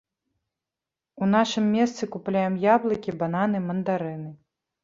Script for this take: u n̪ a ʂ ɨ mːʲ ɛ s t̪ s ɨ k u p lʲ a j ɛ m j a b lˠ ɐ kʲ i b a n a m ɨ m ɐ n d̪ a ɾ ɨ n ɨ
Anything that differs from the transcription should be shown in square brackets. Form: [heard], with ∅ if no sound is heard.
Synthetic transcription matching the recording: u n̪ a ʂ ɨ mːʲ ɛ s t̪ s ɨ k u p lʲ a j ɛ m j a b lˠ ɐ kʲ i b a n a [n] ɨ m ɐ n d̪ a ɾ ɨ n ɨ